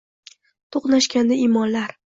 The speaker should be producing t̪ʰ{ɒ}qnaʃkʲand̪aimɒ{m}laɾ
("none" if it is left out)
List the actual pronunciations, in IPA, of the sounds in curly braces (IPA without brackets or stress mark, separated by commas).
o, n